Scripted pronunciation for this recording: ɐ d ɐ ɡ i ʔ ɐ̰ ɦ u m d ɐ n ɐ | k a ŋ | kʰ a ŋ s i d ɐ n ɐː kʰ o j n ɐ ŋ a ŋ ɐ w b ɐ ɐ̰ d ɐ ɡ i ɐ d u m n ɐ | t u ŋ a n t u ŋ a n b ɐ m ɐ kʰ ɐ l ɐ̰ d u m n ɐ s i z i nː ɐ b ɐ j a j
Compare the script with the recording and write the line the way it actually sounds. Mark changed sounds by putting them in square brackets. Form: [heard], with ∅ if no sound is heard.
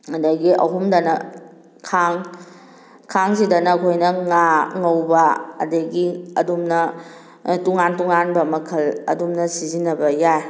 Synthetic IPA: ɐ d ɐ ɡ i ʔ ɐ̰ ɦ u m d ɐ n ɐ | [kʰ] a ŋ | kʰ a ŋ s i d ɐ n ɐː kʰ o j n ɐ ŋ a ŋ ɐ w b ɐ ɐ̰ d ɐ ɡ i ɐ d u m n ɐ | t u ŋ a n t u ŋ a n b ɐ m ɐ kʰ ɐ l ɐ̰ d u m n ɐ s i z i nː ɐ b ɐ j a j

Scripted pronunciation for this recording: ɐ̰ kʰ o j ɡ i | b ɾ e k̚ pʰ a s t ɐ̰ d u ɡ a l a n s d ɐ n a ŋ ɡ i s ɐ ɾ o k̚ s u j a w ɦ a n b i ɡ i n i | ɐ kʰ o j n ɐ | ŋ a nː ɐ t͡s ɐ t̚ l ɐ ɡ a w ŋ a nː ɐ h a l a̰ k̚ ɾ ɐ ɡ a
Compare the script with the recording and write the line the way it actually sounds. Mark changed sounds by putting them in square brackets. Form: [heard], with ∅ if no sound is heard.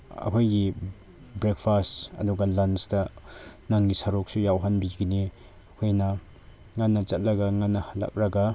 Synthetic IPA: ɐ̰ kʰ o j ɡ i | b ɾ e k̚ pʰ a s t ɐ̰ d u ɡ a l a n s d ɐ n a ŋ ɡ i s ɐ ɾ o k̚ s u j a w ɦ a n b i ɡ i n i | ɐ kʰ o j n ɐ | ŋ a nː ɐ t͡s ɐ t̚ l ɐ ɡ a [∅] ŋ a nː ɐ h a l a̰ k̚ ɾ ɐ ɡ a

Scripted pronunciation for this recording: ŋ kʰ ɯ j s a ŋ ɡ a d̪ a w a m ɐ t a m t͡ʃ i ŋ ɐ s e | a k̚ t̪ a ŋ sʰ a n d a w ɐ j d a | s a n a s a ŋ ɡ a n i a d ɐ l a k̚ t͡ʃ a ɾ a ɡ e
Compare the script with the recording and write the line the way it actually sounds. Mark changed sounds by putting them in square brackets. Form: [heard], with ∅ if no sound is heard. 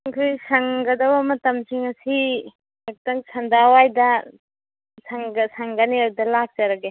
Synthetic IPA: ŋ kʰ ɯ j s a ŋ ɡ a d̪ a w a m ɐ t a m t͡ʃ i ŋ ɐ s [i] | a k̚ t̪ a ŋ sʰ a n d a w [a] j d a | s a [ŋ] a s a ŋ ɡ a n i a d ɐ l a k̚ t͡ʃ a ɾ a ɡ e

